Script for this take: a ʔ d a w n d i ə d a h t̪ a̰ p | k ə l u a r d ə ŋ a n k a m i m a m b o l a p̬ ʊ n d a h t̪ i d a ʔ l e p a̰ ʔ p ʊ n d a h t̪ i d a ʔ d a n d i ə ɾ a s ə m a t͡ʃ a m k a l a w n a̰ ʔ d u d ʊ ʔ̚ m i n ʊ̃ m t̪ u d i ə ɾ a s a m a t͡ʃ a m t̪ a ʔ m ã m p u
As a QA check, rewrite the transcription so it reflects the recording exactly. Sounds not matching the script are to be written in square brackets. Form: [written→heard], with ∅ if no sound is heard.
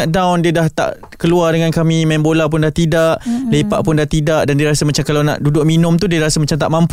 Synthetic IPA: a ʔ d a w n d i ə d a h t̪ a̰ [p→ʔ] | k ə l u a r d ə ŋ a n k a m i m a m b o l a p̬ ʊ n d a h t̪ i d a ʔ l e p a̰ ʔ p ʊ n d a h t̪ i d a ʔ d a n d i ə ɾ a s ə m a t͡ʃ a m k a l a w n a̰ ʔ d u d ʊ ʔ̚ m i n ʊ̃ m t̪ u d i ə ɾ a s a m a t͡ʃ a m t̪ a ʔ m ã m p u